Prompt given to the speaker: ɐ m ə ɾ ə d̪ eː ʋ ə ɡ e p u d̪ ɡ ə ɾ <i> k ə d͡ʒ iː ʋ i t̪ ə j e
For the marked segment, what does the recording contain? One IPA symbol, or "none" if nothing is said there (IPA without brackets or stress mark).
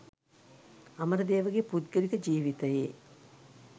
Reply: i